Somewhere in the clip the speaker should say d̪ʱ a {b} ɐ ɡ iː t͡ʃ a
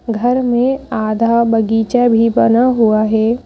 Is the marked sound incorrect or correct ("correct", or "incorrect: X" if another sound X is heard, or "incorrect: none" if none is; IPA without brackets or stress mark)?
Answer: correct